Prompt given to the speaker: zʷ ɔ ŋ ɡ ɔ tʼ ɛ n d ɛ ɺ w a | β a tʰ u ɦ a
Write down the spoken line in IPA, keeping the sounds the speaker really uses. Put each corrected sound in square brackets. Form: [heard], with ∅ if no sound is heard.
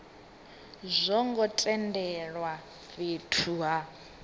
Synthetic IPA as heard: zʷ ɔ ŋ ɡ ɔ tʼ ɛ n d ɛ ɺ w a | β [e] tʰ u ɦ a

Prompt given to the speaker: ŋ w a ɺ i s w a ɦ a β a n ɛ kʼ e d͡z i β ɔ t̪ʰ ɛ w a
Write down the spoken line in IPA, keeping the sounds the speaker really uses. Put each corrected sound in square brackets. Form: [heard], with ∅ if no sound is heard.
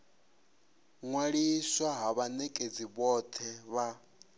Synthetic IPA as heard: ŋ w a ɺ i s w a ɦ a β a n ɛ kʼ e d͡z i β ɔ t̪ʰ ɛ [β] a

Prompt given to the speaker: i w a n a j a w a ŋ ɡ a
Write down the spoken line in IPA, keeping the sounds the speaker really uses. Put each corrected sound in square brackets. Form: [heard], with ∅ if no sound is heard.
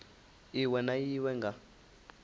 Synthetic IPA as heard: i w [ɛ] n a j [i] w [ɛ] ŋ ɡ a

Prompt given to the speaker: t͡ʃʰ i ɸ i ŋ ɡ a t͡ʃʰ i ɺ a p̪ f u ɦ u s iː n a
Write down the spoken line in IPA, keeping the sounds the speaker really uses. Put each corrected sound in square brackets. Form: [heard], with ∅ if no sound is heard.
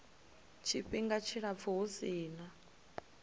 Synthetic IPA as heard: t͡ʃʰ i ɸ i ŋ ɡ a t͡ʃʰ i ɺ a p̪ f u ɦ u s iː n a

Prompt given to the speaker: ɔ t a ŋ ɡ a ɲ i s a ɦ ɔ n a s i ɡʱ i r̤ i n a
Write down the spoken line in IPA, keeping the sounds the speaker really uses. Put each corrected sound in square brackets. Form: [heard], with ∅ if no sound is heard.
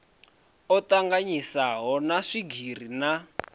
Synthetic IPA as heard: ɔ t a ŋ ɡ a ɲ i s a ɦ ɔ n a [ʂ] i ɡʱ i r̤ i n a

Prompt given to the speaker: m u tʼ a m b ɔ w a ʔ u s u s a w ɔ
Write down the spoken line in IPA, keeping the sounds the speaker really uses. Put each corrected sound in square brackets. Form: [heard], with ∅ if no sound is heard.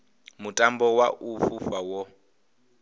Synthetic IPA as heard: m u tʼ a m b ɔ w a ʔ u [f] u [f] a w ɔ

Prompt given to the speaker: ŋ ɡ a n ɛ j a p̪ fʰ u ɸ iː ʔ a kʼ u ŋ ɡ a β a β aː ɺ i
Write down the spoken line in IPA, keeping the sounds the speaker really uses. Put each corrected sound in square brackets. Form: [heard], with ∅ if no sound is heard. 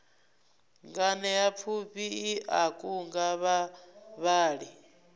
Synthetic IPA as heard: ŋ ɡ a n ɛ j a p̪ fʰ u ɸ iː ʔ a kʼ u ŋ ɡ a β a β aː ɺ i

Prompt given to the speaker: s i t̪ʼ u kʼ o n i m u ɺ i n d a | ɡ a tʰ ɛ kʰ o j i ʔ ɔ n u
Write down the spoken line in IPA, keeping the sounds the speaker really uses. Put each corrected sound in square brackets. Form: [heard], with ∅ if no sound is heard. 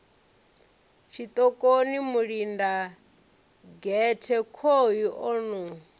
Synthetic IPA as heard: [ʃ] i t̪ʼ [ɔ] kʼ o n i m u ɺ i n d a | ɡ [ɛ] tʰ ɛ kʰ o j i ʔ ɔ n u

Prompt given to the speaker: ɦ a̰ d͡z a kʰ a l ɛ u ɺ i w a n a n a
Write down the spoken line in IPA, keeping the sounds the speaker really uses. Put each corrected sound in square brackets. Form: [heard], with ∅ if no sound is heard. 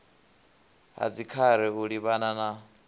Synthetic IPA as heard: ɦ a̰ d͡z [i] kʰ a [ɾ] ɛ u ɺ i [β] a n a n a

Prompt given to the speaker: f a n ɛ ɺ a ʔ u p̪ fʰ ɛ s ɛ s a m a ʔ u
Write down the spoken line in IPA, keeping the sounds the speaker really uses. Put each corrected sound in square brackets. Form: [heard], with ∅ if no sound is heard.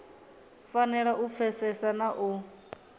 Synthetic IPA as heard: f a n ɛ ɺ a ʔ u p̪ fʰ ɛ s ɛ s a [n] a ʔ u

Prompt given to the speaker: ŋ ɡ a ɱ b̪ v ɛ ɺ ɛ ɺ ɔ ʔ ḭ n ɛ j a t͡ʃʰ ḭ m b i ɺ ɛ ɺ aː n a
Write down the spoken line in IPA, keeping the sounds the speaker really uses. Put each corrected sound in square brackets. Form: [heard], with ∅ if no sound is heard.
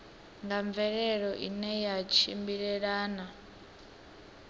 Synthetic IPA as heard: ŋ ɡ a ɱ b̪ v ɛ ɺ ɛ ɺ ɔ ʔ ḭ n ɛ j a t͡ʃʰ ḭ m b i ɺ ɛ ɺ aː n a

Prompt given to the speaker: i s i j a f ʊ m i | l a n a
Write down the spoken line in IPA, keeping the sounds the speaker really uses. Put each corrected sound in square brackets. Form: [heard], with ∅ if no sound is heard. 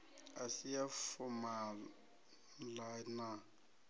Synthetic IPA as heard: [a] s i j a f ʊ m [a] | l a n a

